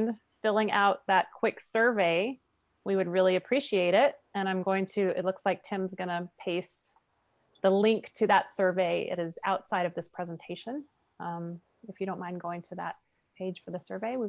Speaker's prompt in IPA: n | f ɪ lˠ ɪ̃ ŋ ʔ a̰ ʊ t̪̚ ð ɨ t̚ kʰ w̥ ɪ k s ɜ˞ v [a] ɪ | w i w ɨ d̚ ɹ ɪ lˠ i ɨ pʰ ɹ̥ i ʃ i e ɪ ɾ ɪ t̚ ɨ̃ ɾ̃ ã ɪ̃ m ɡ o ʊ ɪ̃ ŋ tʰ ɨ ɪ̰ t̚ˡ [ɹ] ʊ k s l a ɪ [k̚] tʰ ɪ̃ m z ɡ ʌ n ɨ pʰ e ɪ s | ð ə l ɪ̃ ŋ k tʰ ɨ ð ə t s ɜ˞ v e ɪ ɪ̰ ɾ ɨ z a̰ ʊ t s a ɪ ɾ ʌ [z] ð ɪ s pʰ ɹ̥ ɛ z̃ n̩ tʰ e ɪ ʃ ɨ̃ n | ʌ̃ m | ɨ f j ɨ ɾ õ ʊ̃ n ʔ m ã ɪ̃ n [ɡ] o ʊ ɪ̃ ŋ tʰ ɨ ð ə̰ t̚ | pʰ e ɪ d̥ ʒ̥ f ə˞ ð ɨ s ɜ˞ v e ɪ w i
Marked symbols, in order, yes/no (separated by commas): no, no, yes, no, yes